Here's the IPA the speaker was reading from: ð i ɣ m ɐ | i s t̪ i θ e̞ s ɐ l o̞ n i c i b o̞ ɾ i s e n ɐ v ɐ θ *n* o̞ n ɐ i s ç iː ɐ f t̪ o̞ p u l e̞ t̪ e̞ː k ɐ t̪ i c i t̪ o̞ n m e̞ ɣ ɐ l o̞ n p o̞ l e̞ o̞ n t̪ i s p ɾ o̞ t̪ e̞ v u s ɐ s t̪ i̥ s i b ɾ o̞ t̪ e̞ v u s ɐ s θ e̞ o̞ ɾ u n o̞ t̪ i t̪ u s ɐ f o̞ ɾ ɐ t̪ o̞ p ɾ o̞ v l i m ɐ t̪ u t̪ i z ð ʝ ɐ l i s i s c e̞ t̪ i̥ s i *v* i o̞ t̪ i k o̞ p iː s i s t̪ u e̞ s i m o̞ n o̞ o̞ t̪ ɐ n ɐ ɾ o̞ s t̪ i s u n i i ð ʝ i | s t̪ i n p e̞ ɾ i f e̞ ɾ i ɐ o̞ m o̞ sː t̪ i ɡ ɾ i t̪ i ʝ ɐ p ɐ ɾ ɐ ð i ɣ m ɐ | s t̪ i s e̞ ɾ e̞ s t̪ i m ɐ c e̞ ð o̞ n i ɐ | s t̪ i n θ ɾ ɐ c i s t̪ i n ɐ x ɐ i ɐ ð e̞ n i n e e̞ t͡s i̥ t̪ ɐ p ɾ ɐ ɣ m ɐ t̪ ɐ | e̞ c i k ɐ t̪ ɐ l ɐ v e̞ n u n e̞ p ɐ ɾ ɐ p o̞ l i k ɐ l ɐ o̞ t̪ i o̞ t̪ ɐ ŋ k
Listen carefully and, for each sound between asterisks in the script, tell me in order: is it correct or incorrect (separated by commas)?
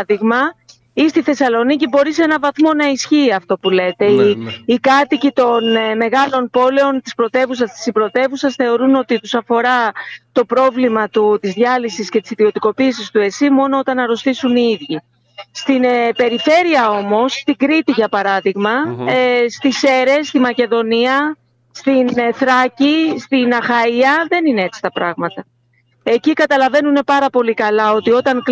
incorrect, incorrect